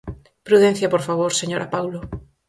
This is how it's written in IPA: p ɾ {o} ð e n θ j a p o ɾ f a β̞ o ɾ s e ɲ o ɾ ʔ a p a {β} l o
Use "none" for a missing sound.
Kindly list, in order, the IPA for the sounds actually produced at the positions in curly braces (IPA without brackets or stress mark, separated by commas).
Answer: u, w